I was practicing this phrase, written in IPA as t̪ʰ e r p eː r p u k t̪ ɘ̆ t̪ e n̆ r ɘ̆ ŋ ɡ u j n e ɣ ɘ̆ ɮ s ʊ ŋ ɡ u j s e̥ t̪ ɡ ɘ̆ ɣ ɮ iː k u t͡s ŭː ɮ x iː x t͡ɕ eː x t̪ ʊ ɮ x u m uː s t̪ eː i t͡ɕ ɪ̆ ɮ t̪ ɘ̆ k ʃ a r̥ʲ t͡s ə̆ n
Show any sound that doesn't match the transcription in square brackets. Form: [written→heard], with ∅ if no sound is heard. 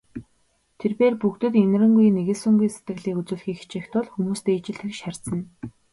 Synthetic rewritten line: t̪ʰ e r p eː r p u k t̪ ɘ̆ t̪ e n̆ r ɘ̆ ŋ ɡ u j n e ɣ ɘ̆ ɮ s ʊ ŋ ɡ u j s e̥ t̪ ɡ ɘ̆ ɣ ɮ iː k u t͡s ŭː ɮ x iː x t͡ɕ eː x t̪ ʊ ɮ x u m uː s t̪ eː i t͡ɕ ɪ̆ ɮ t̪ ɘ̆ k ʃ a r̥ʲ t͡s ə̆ n

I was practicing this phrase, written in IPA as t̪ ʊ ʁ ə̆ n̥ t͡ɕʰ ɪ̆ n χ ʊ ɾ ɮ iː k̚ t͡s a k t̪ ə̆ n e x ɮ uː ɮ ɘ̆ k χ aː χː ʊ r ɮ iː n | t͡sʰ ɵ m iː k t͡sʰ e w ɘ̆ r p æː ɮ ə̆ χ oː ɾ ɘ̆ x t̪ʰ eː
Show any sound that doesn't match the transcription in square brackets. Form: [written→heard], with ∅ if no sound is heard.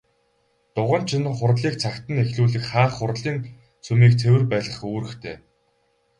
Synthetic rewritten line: t̪ ʊ ʁ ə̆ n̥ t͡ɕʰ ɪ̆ n χ ʊ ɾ ɮ iː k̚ [t͡s→t͡sʰ] a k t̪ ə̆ n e x ɮ uː ɮ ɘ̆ k χ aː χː ʊ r ɮ iː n | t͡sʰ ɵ m iː k t͡sʰ e w ɘ̆ r p æː ɮ ə̆ χ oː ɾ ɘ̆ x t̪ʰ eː

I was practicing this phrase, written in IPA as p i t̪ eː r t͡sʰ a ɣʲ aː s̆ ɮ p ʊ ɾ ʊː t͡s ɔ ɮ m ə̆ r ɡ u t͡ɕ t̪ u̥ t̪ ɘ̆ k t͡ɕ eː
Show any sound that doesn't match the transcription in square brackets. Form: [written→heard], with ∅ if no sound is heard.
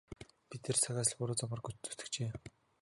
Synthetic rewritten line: p i t̪ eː r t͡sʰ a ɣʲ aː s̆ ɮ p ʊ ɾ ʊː t͡s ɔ [ɮ→∅] m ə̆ r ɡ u t͡ɕ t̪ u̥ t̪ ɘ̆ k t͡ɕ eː

